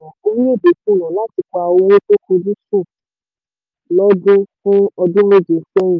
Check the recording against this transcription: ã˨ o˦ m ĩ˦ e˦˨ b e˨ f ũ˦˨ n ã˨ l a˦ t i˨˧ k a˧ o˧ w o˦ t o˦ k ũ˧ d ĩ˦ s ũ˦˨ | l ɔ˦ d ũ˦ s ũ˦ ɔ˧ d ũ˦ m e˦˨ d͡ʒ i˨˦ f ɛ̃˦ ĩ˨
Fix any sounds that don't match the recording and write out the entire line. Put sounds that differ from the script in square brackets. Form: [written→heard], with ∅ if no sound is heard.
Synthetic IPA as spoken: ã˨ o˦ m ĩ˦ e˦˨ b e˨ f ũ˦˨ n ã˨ l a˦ t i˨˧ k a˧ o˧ w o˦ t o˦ k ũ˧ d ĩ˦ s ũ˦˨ | l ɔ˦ d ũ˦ [s→f] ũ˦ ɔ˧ d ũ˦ m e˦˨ d͡ʒ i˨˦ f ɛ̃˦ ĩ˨